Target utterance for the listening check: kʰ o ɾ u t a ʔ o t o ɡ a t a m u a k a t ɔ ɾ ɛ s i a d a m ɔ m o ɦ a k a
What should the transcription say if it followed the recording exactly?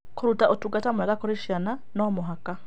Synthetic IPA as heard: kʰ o ɾ u t a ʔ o t u ɡ a t a m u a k a k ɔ ɾ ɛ ʃ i a n a n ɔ m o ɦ a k a